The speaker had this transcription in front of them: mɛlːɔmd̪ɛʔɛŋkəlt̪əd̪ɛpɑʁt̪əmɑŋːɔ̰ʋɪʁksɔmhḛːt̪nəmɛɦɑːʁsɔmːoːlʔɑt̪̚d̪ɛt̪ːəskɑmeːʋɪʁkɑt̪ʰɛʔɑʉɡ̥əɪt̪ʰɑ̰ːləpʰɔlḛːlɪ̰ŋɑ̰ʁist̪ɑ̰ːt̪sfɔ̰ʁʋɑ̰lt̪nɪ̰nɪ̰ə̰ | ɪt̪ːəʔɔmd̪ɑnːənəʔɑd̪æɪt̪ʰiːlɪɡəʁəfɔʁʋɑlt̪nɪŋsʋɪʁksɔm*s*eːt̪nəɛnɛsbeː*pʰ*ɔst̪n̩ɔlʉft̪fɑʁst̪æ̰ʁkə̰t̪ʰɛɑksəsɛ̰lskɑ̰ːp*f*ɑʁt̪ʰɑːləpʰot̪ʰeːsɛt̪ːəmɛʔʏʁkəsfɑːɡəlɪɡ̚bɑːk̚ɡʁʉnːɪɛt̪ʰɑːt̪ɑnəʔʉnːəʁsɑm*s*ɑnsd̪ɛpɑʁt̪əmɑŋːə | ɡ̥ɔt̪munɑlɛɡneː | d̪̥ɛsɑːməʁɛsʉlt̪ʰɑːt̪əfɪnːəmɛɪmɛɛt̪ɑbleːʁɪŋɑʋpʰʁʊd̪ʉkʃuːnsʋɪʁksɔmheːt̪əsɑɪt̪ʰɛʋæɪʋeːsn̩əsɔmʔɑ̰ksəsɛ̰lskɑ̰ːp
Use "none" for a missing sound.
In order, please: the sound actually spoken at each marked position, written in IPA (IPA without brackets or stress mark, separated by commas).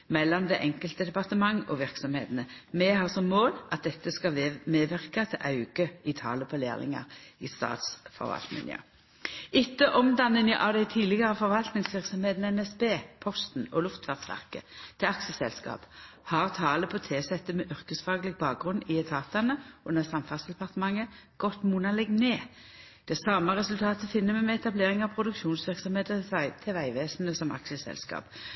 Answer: h, pʰ, h, f